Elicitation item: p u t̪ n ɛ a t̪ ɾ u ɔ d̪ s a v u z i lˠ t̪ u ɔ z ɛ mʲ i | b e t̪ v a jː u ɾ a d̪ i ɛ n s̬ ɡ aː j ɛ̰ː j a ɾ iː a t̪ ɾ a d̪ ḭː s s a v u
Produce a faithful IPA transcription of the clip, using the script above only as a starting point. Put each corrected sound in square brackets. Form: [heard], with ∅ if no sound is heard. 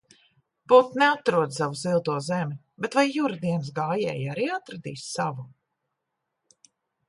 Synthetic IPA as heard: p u t̪ n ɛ a t̪ ɾ u ɔ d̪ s a v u z i lˠ t̪ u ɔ z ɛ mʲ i | b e t̪ v a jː u ɾ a d̪ i ɛ n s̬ ɡ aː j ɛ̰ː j a ɾ iː a t̪ ɾ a d̪ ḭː s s a v u